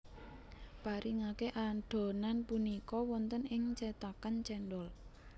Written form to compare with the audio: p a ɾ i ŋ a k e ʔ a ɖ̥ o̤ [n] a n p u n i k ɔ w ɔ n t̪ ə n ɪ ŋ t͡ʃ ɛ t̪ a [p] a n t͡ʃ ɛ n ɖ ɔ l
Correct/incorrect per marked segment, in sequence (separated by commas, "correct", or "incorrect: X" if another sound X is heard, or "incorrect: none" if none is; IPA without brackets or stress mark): correct, incorrect: k